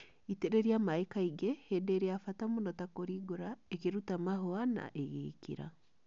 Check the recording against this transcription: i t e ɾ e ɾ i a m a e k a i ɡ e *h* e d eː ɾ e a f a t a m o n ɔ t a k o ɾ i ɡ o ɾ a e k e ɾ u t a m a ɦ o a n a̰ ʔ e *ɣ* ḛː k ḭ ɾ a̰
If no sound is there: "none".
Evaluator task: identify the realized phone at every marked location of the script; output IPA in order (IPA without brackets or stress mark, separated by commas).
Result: h, ɣ